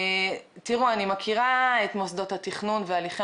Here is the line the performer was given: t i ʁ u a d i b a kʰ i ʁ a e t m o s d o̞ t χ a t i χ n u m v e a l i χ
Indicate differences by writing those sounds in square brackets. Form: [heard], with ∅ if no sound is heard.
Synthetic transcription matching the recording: t i ʁ u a [n] i [m] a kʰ i ʁ a e t m o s d o̞ t [h] a t i χ n u [n] v e a l i χ